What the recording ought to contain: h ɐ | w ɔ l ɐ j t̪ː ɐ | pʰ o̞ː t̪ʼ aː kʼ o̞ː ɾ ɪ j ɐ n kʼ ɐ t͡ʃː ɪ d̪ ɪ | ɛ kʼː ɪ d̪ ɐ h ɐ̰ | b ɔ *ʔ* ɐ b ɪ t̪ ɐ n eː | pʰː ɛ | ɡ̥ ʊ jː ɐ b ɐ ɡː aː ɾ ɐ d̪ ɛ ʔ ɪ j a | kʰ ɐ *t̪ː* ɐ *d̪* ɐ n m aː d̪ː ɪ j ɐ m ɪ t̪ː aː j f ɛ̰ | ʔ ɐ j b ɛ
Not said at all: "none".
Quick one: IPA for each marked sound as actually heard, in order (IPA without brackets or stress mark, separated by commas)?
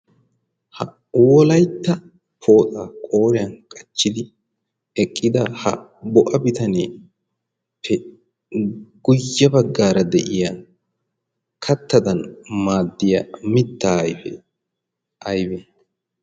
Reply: ʔ, t̪ː, d̪